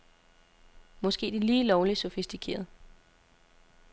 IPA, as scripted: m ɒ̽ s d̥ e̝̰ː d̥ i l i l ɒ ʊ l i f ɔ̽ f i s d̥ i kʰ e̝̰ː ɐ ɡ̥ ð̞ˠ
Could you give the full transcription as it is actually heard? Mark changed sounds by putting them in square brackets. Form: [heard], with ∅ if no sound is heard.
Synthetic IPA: m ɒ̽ s [ɡ̥] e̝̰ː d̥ i l [iː] l ɒ ʊ l i [s] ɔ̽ f i s d̥ i kʰ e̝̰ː ɐ [∅] ð̞ˠ